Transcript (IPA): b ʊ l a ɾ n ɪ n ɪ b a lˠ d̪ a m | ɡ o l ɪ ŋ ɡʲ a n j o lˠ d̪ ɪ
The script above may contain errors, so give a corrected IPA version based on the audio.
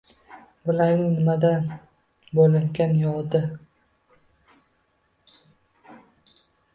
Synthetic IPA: b ʊ l a ɾ n ɪ n ɪ m a d̪ a n | b o l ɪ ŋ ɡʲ a n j ɒ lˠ d̪ ɪ